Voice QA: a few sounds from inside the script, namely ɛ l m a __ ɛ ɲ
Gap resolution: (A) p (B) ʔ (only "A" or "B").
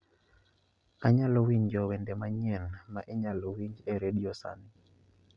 B